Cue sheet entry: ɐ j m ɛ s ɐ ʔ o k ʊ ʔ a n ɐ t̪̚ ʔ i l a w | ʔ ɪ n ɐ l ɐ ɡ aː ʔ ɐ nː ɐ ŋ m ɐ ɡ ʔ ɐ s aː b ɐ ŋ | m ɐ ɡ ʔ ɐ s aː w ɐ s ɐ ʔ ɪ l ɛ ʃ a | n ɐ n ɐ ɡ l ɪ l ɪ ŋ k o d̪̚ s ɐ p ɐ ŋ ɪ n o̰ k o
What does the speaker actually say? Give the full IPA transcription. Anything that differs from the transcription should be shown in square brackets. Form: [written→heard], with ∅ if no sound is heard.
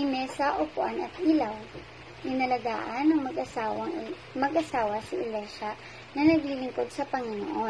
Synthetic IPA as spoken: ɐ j m ɛ s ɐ ʔ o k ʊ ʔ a n ɐ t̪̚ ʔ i l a w | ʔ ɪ n ɐ l ɐ ɡ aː ʔ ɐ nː ɐ ŋ m ɐ ɡ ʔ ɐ s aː [b→w] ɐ ŋ | m ɐ ɡ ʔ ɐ s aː w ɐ s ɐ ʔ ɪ l ɛ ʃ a | n ɐ n ɐ ɡ l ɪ l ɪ ŋ k o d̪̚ s ɐ p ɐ ŋ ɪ n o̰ [k→ʔ] o